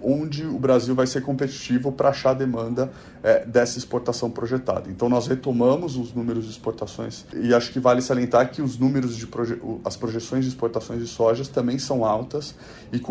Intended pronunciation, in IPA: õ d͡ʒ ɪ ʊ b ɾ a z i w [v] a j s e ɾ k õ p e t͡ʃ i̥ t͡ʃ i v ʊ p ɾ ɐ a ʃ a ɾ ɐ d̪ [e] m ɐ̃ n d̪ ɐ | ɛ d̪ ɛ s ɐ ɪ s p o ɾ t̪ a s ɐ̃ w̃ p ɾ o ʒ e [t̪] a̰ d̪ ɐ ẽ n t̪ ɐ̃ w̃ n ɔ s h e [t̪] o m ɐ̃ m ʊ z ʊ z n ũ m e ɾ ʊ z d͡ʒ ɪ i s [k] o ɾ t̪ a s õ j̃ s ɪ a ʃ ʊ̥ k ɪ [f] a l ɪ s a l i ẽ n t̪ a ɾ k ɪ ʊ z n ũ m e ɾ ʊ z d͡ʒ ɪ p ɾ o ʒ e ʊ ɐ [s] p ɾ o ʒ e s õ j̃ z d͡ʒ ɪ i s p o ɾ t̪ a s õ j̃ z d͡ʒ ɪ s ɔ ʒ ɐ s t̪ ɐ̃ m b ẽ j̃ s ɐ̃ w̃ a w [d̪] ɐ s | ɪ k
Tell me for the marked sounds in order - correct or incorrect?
correct, correct, correct, correct, incorrect, incorrect, correct, incorrect

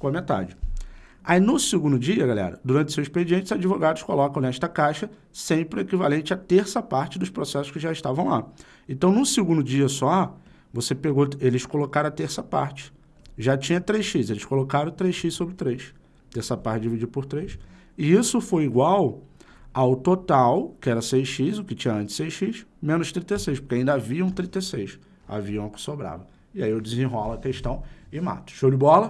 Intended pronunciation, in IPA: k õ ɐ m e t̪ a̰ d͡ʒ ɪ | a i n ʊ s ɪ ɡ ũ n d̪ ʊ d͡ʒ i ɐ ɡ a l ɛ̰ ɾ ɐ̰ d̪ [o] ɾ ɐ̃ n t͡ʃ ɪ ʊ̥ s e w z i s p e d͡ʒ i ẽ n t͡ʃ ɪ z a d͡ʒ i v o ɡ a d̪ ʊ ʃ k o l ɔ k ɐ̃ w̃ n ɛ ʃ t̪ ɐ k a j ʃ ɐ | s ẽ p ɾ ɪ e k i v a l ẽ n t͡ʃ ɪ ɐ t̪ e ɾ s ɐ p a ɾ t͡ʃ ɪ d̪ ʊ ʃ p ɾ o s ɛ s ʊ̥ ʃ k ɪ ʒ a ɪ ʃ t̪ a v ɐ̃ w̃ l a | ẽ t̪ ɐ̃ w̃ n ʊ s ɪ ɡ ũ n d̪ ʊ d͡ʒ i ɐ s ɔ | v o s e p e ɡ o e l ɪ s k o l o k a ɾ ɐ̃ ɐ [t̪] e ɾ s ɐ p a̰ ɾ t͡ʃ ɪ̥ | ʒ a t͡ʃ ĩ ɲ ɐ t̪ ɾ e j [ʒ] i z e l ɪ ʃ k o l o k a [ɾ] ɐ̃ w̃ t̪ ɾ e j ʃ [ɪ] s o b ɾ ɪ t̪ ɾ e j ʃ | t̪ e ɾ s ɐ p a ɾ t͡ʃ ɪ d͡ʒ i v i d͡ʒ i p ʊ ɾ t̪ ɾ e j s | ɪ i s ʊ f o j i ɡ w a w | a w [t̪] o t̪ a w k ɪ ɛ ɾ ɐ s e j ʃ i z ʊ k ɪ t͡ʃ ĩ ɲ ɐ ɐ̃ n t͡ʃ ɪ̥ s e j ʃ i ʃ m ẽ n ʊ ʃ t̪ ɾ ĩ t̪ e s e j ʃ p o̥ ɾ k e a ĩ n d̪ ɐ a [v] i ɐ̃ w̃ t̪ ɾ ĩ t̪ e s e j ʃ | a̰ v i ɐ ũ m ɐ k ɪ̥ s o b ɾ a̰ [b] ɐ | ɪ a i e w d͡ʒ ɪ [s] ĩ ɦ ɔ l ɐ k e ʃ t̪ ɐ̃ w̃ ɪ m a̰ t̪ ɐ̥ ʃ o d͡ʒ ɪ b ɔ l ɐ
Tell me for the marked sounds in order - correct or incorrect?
incorrect, correct, incorrect, correct, incorrect, correct, correct, incorrect, incorrect

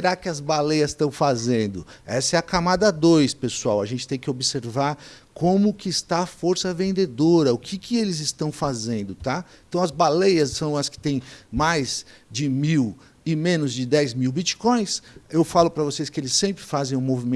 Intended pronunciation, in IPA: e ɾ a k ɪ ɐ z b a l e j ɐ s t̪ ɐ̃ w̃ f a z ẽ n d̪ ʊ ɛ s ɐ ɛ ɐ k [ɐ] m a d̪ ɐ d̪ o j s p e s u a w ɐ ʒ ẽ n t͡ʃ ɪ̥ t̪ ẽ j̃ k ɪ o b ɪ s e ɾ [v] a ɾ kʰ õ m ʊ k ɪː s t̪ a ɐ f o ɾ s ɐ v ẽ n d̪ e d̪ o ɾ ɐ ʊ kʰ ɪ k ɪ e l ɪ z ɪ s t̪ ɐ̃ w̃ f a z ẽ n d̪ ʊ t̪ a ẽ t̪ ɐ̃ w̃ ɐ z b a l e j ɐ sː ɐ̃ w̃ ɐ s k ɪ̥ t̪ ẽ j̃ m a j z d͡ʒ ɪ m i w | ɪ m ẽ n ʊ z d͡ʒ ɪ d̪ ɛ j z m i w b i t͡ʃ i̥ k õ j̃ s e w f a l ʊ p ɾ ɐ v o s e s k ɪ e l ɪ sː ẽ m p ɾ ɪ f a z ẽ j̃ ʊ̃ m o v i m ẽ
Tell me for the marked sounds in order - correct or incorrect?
incorrect, correct

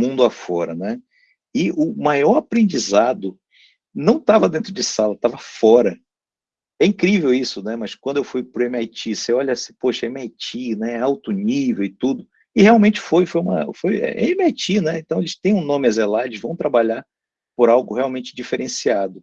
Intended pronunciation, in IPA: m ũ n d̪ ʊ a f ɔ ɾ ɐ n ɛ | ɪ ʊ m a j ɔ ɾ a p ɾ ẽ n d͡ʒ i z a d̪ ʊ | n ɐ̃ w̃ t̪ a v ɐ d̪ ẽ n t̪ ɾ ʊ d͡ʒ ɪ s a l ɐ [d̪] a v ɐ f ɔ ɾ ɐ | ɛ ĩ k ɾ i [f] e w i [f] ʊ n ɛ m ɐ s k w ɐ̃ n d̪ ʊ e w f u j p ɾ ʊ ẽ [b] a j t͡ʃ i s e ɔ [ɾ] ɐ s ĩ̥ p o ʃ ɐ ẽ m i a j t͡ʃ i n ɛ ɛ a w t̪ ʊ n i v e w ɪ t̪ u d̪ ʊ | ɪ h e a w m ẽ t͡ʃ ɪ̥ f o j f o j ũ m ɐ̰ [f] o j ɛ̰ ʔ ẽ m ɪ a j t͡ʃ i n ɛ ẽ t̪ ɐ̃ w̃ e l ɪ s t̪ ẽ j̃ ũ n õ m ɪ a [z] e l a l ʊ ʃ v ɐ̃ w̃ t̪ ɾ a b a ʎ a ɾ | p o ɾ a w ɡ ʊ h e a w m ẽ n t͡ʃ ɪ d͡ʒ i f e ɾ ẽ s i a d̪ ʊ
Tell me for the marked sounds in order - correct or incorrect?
incorrect, incorrect, incorrect, incorrect, incorrect, correct, correct

